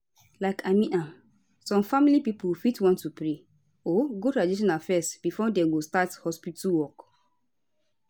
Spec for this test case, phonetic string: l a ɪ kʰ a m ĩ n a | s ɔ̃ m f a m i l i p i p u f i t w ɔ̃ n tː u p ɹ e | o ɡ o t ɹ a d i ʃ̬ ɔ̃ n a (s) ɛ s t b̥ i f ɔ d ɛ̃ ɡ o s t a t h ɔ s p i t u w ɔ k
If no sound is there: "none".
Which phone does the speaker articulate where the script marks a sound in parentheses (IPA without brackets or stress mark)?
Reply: f